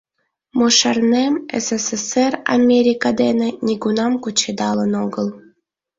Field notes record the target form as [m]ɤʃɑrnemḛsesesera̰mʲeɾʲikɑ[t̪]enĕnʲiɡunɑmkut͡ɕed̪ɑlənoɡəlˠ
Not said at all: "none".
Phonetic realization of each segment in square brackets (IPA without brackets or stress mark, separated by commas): m, d̪